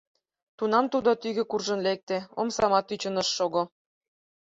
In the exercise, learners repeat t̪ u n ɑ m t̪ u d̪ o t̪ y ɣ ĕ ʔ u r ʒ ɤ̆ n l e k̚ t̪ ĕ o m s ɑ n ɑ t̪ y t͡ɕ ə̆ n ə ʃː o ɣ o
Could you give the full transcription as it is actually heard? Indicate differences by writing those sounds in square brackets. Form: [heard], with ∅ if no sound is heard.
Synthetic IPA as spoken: t̪ u n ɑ m t̪ u d̪ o t̪ y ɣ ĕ [k] u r ʒ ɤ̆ n l e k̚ t̪ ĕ o m s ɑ [m] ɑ t̪ y t͡ɕ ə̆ n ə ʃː o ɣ o

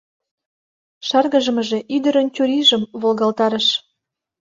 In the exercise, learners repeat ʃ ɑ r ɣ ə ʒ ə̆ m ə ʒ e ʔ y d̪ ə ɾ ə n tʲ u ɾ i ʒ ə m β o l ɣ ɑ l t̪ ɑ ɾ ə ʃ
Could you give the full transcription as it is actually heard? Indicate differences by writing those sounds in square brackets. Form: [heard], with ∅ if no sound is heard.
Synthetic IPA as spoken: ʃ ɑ r ɣ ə ʒ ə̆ m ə ʒ e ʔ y d̪ ə ɾ ə n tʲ u ɾ i ʒ ə m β o l ɣ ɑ l t̪ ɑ ɾ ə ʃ

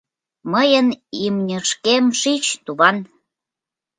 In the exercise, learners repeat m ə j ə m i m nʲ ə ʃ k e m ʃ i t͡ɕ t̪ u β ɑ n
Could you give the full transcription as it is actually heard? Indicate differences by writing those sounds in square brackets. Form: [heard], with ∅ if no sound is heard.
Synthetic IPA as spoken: m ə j ə [n] i m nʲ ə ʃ k e m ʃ i t͡ɕ t̪ u β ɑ n

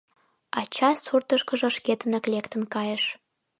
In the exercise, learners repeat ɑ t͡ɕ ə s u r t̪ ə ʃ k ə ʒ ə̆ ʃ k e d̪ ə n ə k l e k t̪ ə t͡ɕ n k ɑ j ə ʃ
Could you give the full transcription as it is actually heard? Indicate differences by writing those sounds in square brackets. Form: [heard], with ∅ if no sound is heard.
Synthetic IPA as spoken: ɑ t͡ɕ [ɑ] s u r t̪ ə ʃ k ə ʒ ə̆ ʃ k e [t̪] ə n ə k l e k t̪ ə [∅] n k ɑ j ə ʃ

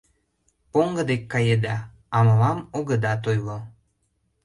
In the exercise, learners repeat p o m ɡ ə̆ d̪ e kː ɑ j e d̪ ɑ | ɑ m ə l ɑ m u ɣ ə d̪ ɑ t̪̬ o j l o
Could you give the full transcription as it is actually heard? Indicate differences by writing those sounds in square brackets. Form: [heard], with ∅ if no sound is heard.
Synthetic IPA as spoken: p o [ŋ] ɡ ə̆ d̪ e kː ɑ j e d̪ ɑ | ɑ m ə l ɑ m [o] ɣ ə d̪ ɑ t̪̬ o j l o

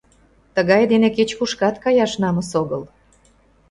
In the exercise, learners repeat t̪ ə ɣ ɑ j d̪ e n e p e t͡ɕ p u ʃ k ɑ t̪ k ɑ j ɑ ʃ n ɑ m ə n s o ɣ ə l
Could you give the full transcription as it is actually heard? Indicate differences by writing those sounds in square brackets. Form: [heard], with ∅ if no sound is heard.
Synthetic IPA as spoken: t̪ ə ɣ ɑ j d̪ e n e [k] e t͡ɕ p u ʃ k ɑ t̪ k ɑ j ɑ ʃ n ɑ m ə [∅] s o ɣ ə l

